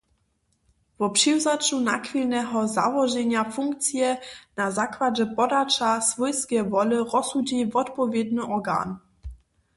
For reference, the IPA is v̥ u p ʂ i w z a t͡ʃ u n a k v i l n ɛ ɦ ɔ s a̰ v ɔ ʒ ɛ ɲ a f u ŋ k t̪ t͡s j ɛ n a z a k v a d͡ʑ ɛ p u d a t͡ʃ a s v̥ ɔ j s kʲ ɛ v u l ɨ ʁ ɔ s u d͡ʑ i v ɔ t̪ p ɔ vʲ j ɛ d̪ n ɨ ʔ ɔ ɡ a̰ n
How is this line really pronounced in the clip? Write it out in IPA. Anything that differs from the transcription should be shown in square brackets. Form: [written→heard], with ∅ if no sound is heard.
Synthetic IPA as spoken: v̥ [u→ɔ] p ʂ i w z a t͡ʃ u n a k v i l n ɛ ɦ ɔ [s→z] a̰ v ɔ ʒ ɛ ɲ a f u ŋ k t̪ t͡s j ɛ n a z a k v a d͡ʑ ɛ p [u→ɔ] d a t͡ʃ a s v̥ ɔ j s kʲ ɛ v [u→ɔ] l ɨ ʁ ɔ s u d͡ʑ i v ɔ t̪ p ɔ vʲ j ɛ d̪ n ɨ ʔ ɔ ɡ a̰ n